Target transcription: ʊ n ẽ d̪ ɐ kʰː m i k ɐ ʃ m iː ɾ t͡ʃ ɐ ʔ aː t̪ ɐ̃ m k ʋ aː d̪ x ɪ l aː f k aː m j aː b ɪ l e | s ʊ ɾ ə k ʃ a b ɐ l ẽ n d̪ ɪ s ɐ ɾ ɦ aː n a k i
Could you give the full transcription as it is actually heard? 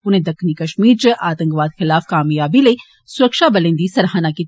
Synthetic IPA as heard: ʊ n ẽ d̪ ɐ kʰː n i k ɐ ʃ m iː ɾ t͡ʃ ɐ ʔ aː t̪ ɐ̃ ŋ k ʋ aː d̪ x ɪ l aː f k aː m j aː b i l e | s ʊ ɾ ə k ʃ a b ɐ l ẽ n d̪ i s ɐ ɾ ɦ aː n a k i